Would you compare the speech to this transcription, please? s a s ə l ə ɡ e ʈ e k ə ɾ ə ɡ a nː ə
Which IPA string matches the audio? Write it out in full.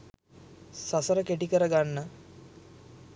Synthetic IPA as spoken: s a s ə ɾ ə k e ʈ i k ə ɾ ə ɡ a nː ə